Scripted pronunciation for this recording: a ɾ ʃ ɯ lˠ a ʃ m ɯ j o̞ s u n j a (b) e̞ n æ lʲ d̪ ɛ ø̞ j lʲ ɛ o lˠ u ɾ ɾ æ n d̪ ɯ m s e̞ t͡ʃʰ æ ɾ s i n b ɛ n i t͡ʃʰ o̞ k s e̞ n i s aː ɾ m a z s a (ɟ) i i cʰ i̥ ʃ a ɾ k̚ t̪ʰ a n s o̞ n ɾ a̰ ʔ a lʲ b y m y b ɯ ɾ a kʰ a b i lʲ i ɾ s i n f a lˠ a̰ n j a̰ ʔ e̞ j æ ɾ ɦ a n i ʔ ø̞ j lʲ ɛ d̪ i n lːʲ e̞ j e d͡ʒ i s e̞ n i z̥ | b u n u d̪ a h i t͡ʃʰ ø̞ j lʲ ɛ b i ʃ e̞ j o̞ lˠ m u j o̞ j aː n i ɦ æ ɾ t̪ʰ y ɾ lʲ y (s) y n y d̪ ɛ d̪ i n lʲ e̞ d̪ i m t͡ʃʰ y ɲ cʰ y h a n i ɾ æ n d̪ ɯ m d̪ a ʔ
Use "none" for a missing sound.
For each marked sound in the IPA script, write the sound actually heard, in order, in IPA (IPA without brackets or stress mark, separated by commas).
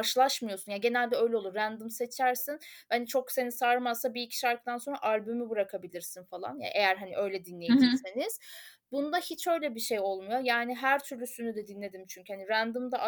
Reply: ɟ, b, s